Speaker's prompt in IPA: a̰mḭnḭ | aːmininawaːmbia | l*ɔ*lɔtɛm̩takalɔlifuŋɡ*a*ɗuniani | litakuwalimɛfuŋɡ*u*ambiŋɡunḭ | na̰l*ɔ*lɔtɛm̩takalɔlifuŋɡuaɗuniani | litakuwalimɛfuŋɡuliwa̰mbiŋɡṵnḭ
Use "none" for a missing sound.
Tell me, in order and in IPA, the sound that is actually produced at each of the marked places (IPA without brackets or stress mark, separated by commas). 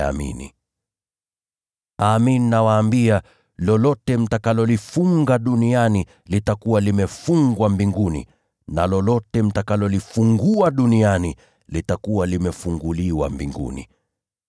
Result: ɔ, a, w, ɔ